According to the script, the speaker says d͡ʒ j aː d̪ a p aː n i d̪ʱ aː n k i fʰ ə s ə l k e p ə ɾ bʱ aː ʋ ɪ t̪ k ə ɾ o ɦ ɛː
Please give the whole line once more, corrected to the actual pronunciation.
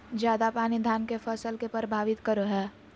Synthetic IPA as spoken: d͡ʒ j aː d̪ a p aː n i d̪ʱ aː n k e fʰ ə s ə l k e p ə ɾ bʱ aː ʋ ɪ t̪ k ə ɾ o ɦ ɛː